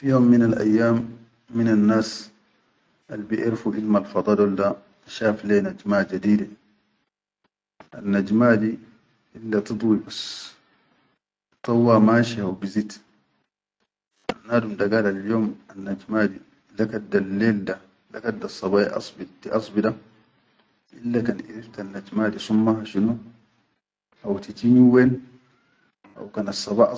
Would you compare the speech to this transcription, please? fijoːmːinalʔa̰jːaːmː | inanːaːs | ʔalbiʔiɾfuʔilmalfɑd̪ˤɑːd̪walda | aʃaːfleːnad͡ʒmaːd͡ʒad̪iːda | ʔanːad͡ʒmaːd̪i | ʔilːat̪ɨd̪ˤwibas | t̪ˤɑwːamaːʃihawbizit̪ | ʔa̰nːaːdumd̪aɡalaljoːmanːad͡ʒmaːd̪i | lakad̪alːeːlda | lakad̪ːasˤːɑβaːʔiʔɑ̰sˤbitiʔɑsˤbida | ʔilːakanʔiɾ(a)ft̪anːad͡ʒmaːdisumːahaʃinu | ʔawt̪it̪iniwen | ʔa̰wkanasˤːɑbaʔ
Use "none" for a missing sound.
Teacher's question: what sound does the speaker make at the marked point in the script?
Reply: i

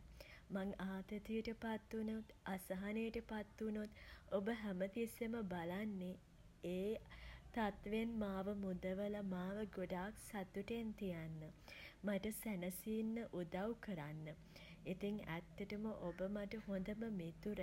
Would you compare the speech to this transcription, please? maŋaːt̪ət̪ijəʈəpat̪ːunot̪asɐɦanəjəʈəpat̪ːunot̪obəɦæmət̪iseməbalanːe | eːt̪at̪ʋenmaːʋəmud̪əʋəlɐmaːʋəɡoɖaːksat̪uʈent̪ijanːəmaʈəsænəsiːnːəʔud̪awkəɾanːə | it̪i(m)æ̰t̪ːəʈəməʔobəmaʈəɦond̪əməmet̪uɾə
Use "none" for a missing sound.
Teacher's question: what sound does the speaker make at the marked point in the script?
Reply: ŋ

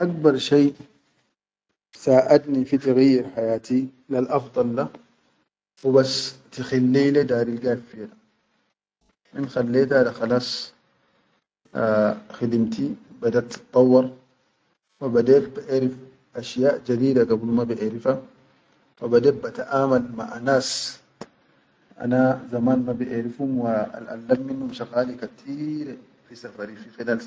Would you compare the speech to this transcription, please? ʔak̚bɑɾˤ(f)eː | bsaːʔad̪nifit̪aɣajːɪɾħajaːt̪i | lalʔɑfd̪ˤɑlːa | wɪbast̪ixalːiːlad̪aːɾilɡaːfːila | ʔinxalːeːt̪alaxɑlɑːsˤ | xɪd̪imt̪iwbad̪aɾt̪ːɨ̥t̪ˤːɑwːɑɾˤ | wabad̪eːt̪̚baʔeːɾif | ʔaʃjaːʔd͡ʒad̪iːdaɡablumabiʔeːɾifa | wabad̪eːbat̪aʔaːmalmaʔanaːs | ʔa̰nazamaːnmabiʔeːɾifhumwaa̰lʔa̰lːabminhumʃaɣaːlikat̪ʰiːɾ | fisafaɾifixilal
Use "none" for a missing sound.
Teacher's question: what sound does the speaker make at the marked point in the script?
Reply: ʃ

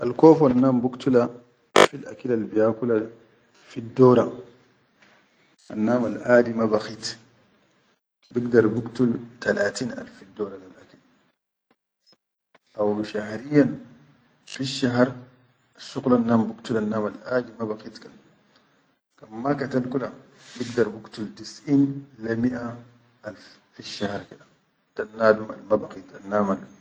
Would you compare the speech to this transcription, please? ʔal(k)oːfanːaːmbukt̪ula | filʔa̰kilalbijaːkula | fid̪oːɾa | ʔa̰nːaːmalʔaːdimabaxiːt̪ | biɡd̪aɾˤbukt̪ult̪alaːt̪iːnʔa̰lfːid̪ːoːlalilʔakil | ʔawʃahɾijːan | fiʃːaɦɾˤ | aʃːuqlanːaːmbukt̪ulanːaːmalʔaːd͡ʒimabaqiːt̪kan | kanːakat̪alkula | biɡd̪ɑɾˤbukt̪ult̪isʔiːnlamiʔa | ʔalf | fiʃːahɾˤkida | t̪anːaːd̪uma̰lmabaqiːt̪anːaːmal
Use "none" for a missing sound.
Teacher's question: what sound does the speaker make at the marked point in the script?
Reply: k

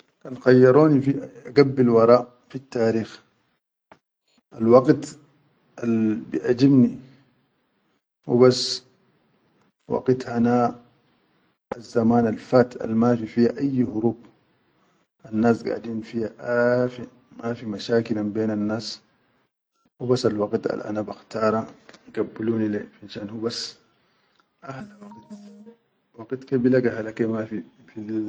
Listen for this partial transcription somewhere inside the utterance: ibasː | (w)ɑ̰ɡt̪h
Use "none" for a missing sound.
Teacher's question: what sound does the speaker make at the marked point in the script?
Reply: w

